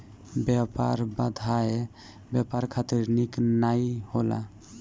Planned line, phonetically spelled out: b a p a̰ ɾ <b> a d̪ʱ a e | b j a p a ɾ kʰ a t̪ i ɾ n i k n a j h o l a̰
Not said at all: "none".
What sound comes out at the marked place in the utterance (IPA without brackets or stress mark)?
b